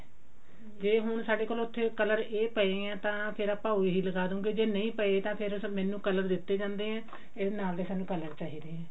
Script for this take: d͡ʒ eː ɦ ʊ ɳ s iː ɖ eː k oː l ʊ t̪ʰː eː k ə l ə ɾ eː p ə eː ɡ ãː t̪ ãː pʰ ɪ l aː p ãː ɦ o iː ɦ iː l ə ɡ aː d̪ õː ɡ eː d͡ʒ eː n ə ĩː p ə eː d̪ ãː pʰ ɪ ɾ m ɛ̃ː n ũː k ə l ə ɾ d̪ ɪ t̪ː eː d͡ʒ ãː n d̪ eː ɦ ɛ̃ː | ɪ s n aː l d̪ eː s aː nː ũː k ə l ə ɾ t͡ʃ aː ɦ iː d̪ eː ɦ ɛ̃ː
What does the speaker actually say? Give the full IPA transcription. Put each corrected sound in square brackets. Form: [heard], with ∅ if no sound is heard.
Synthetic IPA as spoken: d͡ʒ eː ɦ ʊ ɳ s [aː] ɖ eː k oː l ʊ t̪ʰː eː k ə l ə ɾ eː p ə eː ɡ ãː t̪ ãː pʰ ɪ [ɾ] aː p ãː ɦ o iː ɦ iː l ə ɡ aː d̪ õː ɡ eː d͡ʒ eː n ə ĩː p ə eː [t̪] ãː pʰ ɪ ɾ m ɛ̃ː n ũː k ə l ə ɾ d̪ ɪ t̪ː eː d͡ʒ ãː n d̪ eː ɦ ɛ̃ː | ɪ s n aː l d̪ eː s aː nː ũː k ə l ə ɾ t͡ʃ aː ɦ iː d̪ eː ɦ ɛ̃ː